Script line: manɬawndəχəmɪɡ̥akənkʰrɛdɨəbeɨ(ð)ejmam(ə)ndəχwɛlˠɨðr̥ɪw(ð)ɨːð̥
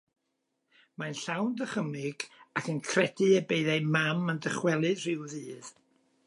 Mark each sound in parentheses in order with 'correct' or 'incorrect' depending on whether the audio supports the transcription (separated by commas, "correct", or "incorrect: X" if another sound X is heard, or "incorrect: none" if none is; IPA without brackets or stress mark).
correct, correct, correct